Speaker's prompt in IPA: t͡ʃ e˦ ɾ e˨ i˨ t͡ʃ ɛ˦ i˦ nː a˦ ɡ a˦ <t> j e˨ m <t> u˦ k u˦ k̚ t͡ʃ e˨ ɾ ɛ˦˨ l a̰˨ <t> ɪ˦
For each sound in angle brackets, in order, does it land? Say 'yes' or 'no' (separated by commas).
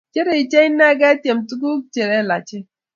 yes, yes, no